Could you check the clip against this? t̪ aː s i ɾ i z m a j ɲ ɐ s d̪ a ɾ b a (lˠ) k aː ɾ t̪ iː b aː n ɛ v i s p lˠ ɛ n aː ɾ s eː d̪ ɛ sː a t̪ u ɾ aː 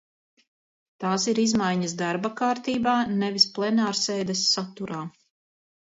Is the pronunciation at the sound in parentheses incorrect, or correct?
incorrect